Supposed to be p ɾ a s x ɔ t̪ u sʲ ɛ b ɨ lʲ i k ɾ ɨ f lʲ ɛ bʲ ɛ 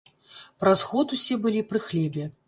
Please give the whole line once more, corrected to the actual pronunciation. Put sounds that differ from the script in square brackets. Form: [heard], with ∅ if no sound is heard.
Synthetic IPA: p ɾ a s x ɔ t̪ u sʲ ɛ b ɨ lʲ i [p] ɾ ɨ [x] lʲ ɛ bʲ ɛ